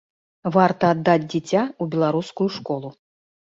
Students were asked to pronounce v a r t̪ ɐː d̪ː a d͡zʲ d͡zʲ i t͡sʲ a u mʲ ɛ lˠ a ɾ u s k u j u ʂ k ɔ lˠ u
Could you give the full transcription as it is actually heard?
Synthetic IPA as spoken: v a r t̪ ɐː d̪ː a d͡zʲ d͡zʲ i t͡sʲ a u bʲ ɛ lˠ a ɾ u s k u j u ʂ k ɔ lˠ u